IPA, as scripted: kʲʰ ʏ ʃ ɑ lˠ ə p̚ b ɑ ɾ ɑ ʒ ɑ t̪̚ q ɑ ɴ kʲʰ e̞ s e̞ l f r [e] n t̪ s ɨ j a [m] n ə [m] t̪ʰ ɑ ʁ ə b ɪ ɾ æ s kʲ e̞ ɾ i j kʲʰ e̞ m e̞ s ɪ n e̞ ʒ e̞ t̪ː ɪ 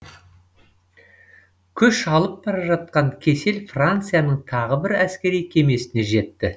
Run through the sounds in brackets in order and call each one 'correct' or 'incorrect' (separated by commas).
incorrect, incorrect, incorrect